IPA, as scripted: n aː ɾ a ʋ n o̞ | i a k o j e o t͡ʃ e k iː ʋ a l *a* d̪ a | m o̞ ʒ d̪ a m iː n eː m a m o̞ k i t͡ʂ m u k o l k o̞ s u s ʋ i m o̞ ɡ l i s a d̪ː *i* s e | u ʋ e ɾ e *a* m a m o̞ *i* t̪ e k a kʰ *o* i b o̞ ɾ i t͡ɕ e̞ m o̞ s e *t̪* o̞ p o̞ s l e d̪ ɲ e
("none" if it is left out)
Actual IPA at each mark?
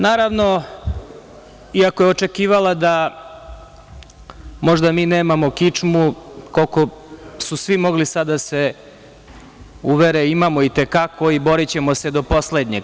a, a, i, i, o, d̪

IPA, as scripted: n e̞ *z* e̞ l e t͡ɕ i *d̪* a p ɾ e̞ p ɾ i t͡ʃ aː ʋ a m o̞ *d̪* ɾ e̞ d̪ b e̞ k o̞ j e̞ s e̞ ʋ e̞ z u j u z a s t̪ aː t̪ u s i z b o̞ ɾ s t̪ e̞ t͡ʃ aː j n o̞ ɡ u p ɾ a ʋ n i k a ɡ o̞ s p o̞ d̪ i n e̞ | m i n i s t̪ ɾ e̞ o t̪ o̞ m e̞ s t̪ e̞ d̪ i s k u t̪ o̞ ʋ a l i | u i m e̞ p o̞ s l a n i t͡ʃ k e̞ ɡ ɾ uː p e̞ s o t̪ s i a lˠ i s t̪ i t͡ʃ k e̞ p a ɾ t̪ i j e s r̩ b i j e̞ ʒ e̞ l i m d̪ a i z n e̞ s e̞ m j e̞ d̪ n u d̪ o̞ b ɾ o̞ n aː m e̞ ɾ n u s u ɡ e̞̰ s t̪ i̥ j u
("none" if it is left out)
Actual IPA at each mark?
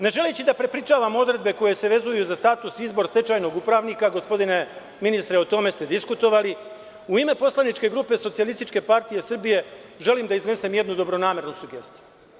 ʒ, d̪, d̪

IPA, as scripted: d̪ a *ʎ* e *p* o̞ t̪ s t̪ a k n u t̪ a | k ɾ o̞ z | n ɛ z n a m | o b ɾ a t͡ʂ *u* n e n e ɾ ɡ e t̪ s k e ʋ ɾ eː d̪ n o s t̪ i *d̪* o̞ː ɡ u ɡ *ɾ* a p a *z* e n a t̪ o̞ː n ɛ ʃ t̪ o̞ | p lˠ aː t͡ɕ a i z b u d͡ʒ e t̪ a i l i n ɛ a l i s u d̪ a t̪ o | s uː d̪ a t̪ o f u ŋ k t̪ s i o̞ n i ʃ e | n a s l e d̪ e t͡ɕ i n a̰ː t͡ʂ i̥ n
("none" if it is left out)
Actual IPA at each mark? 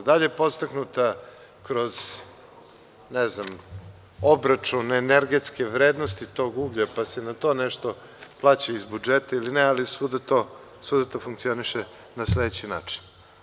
ʎ, p, u, t̪, ʎ, s

